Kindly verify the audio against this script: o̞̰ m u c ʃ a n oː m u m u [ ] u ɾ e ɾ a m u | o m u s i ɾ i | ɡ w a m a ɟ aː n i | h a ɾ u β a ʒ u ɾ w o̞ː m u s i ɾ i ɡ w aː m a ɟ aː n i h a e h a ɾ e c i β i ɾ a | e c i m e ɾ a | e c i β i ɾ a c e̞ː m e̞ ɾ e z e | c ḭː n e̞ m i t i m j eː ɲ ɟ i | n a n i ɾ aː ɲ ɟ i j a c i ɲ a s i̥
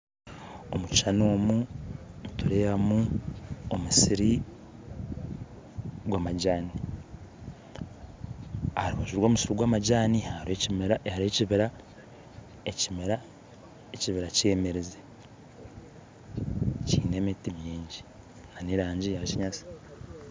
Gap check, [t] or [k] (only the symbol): t